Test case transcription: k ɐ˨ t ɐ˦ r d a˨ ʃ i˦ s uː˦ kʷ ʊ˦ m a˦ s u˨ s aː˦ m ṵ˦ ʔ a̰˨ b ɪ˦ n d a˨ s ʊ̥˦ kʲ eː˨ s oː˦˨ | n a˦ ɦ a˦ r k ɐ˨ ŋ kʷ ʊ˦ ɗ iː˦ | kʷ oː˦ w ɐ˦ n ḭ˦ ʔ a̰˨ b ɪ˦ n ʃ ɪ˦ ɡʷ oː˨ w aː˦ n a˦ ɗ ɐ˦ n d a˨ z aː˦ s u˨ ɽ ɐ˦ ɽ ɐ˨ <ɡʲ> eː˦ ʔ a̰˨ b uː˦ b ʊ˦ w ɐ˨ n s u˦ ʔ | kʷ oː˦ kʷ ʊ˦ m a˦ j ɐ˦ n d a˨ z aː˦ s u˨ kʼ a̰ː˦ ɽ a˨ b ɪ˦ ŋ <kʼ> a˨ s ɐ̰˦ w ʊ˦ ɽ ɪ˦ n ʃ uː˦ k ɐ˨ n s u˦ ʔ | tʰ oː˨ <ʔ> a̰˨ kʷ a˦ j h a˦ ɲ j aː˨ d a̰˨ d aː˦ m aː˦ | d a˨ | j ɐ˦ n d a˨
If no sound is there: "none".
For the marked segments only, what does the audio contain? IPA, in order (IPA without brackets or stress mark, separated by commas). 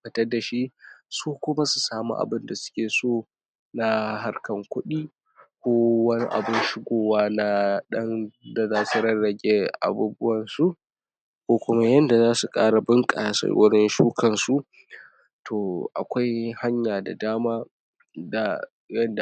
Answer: ɡʲ, kʼ, ʔ